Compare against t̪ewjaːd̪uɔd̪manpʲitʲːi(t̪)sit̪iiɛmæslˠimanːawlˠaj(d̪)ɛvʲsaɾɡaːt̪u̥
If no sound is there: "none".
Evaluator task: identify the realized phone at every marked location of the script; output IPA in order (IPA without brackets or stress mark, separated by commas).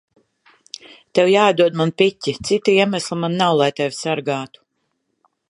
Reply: t̪, t̪